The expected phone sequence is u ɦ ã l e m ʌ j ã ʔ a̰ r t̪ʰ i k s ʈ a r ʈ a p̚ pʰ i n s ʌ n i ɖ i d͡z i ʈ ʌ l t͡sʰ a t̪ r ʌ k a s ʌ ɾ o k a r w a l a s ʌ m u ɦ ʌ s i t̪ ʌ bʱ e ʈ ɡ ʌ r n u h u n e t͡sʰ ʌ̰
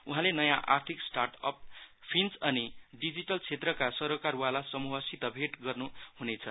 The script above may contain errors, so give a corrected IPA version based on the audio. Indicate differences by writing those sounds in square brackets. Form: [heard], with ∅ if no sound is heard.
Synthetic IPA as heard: u ɦ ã l e [n] ʌ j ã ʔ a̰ r t̪ʰ i k s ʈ a r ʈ [ʌ] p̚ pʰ i n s ʌ n i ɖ i d͡z i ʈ ʌ l t͡sʰ [e] t̪ r ʌ k a s ʌ ɾ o k a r w a l a s ʌ m u ɦ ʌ s i t̪ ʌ bʱ e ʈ ɡ ʌ r n u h u n e t͡sʰ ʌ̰